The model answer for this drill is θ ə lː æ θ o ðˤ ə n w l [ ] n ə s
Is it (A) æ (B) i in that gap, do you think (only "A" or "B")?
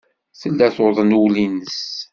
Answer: B